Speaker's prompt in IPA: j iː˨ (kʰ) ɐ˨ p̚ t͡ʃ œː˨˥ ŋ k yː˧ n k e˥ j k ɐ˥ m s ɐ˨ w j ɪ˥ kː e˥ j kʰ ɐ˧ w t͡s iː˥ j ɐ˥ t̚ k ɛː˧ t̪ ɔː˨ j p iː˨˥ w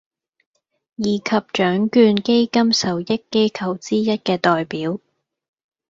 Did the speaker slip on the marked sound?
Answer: no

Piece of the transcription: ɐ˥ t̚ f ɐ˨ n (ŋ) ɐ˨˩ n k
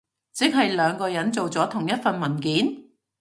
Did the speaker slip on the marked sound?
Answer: yes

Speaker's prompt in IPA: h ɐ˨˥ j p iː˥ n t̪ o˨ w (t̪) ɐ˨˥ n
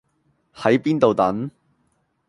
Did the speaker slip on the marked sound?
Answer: no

